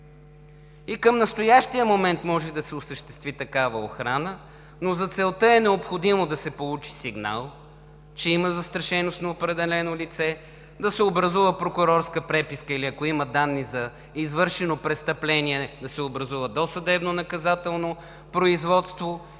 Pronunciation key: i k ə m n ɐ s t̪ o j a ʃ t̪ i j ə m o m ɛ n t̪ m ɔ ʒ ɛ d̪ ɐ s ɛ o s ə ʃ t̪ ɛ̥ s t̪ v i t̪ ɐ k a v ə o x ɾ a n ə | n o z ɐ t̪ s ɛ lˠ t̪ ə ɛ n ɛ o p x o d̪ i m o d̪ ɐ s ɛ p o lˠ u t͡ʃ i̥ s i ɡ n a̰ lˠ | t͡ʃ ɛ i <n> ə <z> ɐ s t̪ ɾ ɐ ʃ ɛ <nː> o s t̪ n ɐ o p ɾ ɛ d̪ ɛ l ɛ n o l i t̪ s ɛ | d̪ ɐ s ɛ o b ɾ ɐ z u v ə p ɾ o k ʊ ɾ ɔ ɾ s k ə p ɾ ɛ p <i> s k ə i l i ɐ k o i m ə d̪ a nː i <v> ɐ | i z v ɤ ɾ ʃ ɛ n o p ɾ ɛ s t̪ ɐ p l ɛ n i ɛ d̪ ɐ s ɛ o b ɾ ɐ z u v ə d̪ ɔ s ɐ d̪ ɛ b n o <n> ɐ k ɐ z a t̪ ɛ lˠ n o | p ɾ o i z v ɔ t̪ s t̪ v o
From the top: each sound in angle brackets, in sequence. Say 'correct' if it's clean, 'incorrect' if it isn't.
incorrect: m, correct, incorrect: n, correct, incorrect: z, correct

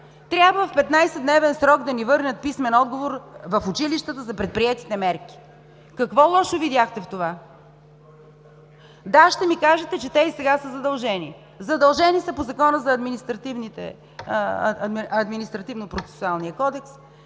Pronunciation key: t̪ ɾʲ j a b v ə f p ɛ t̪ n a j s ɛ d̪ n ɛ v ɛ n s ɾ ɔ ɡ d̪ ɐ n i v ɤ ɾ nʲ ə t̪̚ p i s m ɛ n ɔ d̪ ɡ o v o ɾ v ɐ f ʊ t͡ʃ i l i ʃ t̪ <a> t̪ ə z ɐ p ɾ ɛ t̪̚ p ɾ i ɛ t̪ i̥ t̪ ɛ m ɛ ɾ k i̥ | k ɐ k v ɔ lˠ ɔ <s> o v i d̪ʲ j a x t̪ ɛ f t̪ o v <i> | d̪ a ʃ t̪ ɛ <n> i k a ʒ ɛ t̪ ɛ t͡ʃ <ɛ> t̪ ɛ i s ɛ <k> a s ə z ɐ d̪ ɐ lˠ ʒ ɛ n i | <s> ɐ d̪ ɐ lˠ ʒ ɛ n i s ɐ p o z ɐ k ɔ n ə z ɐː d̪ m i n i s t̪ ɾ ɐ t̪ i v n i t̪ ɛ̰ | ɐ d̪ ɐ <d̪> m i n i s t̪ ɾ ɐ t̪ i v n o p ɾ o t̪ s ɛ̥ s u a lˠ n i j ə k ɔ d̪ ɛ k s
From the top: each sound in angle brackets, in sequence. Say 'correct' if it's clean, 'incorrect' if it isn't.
incorrect: ə, incorrect: ʃ, incorrect: a, incorrect: m, correct, incorrect: ɡ, incorrect: z, correct

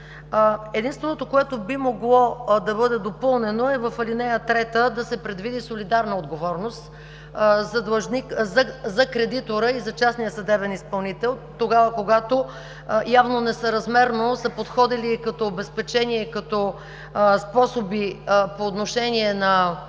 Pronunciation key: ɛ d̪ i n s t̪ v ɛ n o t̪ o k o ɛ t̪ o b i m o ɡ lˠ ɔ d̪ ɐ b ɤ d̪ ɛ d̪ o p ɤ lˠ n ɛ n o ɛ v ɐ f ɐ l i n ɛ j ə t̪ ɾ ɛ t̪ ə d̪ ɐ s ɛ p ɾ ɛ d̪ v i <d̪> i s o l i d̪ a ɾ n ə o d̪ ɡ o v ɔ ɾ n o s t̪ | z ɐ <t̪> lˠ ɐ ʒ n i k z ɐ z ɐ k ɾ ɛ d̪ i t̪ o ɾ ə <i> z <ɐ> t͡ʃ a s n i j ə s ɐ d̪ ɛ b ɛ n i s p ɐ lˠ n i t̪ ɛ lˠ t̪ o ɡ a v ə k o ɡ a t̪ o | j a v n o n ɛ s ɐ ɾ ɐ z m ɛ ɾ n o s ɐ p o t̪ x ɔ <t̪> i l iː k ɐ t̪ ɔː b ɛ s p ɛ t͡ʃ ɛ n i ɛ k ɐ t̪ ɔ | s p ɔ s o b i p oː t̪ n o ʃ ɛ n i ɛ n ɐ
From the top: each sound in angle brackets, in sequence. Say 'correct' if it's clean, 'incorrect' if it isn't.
correct, incorrect: d̪, correct, correct, incorrect: d̪

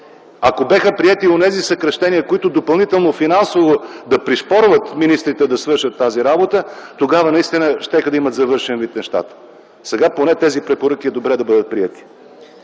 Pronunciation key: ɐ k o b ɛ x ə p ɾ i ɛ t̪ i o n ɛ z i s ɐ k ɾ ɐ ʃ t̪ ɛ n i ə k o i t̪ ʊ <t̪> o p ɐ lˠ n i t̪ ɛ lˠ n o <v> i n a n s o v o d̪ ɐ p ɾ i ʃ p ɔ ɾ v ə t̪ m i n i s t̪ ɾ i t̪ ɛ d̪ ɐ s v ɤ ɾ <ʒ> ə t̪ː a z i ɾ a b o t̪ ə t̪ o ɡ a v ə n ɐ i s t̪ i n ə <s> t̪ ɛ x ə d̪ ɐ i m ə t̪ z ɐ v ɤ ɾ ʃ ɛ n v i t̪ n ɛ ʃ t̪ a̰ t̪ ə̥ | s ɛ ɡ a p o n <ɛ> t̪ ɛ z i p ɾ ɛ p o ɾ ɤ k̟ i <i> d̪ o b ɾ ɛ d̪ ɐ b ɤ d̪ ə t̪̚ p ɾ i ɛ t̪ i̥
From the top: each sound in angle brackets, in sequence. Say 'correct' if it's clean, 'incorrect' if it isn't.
incorrect: d̪, incorrect: f, incorrect: ʃ, incorrect: ʃ, correct, incorrect: ɛ

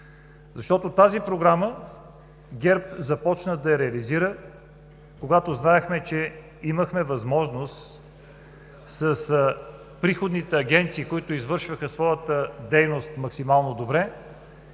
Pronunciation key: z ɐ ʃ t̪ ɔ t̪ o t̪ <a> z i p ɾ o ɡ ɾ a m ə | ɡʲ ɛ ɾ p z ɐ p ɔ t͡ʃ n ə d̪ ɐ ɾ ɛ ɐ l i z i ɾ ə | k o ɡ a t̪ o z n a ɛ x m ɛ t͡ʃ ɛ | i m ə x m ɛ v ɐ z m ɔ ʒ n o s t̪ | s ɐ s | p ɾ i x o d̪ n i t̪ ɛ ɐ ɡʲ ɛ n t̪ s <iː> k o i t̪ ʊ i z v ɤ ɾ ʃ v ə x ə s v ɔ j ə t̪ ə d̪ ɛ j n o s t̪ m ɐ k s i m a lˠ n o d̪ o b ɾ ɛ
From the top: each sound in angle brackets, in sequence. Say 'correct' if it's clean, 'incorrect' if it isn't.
correct, correct

